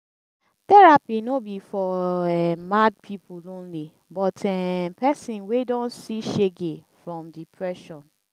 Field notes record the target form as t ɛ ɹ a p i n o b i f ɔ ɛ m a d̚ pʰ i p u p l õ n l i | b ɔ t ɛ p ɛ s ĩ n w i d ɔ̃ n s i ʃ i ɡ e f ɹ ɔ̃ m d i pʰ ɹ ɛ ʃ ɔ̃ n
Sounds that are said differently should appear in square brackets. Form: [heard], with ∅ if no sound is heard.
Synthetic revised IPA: t ɛ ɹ a p i n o b i f ɔ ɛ m a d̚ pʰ i p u [∅] l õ n l i | b ɔ t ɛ p ɛ s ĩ n w [e] d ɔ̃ n s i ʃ [e] ɡ e f ɹ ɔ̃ m d i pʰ ɹ ɛ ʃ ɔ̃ n